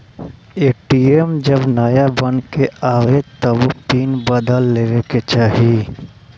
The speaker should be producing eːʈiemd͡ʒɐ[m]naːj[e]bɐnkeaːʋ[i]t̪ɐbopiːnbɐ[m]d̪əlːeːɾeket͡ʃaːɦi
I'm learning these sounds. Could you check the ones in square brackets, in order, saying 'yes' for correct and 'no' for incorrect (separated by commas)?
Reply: no, no, no, no